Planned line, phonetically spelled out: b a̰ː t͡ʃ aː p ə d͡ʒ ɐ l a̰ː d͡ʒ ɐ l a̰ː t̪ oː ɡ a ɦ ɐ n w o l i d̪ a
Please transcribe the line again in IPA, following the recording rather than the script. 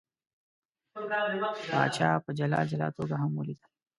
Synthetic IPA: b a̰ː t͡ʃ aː p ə d͡ʒ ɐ l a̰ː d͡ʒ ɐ l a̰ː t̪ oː ɡ a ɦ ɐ m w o l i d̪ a